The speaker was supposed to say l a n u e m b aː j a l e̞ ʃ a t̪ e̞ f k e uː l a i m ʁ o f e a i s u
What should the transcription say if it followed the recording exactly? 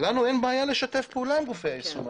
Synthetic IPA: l a n u e n b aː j a l e̞ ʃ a t̪ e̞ f p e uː l a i m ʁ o f e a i s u